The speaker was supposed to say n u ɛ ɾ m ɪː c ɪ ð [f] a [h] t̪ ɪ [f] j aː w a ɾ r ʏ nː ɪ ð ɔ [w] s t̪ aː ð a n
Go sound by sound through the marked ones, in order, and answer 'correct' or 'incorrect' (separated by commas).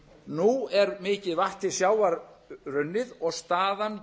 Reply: incorrect, correct, incorrect, incorrect